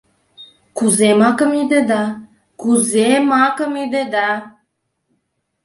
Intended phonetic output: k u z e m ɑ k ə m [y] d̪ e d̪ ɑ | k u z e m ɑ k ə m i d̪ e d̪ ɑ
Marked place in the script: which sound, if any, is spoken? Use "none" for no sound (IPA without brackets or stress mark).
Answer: i